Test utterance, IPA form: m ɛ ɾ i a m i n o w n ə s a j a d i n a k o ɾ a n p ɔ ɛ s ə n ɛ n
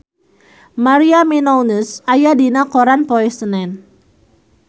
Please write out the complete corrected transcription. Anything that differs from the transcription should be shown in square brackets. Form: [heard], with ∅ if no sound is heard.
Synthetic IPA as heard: m [a] ɾ i a m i n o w n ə s a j a d i n a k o ɾ a n p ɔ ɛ s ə n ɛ n